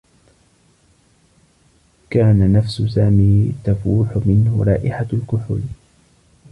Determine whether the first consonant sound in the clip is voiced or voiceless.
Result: voiceless